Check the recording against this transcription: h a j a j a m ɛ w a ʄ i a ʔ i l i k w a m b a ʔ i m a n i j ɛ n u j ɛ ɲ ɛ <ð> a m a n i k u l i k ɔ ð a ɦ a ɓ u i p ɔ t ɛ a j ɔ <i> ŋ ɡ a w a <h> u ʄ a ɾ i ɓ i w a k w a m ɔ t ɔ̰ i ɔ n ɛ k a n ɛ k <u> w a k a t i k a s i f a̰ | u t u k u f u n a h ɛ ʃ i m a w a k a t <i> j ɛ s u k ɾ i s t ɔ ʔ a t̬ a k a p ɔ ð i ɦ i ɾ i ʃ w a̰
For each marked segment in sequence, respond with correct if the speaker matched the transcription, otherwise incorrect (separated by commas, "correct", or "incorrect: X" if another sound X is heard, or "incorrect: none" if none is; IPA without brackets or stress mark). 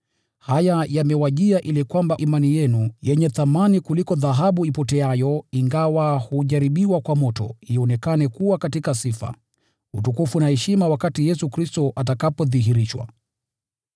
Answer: incorrect: θ, correct, correct, correct, correct